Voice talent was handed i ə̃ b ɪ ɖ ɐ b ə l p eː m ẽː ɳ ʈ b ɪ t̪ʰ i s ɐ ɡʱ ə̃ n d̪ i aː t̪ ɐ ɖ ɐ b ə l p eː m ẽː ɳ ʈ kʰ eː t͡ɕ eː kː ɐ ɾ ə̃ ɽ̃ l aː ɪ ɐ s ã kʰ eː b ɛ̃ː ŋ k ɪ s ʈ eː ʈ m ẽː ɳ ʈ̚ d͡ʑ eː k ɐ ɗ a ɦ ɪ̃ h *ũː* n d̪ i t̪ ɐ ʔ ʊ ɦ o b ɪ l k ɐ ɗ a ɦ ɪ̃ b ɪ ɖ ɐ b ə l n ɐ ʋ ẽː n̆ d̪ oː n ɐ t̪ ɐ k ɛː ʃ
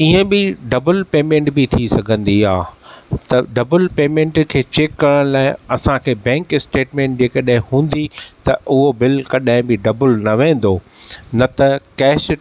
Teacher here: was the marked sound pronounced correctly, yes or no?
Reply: yes